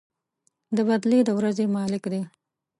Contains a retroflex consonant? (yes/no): no